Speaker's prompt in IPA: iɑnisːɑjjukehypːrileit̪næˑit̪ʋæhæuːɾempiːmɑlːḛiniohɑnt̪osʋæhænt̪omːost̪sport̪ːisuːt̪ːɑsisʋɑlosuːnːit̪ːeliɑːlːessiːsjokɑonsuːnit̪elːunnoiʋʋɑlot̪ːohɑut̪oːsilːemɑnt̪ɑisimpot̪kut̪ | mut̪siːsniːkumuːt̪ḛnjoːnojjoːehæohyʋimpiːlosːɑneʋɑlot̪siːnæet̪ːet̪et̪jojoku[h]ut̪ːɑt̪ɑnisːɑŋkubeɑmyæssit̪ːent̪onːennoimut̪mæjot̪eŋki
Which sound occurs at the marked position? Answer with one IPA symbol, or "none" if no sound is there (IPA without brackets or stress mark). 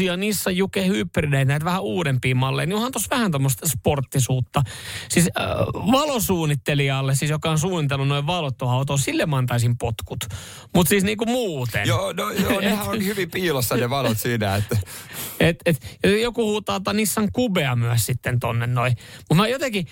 h